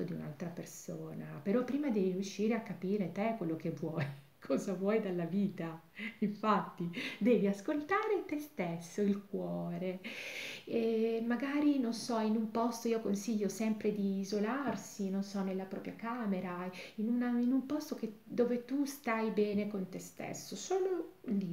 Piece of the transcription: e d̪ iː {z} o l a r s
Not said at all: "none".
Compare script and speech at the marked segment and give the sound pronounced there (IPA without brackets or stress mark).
z